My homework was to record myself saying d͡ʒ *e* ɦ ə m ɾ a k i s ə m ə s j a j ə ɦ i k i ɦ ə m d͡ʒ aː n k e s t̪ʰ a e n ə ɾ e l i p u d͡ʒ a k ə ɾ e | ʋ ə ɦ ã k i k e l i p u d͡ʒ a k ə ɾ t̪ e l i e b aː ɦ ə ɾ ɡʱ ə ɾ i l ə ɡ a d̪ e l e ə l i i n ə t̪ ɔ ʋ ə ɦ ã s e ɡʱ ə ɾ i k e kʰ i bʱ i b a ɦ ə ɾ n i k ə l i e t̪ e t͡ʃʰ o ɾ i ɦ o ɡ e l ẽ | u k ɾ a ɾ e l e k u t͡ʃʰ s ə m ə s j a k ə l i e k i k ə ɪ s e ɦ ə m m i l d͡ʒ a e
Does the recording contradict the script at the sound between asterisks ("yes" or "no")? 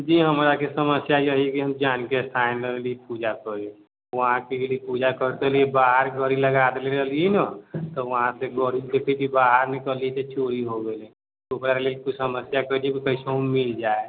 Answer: yes